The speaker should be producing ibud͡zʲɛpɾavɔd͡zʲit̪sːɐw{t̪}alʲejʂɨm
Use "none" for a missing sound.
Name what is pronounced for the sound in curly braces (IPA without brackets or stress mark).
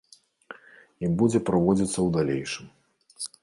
d̪